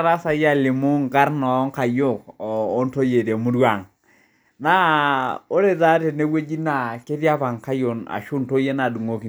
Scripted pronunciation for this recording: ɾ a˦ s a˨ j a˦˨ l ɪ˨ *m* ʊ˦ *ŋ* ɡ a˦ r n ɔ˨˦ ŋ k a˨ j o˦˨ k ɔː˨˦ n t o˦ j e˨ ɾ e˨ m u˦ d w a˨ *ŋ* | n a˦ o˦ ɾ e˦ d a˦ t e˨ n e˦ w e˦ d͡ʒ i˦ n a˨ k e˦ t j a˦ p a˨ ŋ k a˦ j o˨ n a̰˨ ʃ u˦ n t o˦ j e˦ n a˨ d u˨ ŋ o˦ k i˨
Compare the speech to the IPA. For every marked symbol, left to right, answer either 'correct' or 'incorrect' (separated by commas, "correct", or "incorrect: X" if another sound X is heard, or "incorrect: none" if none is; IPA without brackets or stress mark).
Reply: correct, correct, correct